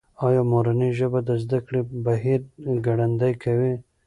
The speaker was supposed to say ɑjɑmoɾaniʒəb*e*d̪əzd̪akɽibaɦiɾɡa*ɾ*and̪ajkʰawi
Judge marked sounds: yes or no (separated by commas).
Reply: no, no